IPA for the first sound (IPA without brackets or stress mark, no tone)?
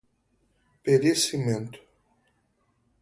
p